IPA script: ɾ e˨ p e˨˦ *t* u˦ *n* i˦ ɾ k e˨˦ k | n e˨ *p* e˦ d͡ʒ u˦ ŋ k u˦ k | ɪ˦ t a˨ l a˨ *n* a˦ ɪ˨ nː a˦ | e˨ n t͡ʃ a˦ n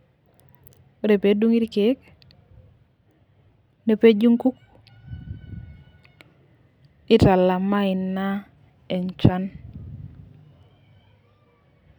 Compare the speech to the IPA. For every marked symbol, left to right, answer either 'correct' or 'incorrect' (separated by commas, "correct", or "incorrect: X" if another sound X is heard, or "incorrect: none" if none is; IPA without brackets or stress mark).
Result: incorrect: d, incorrect: ŋ, correct, incorrect: m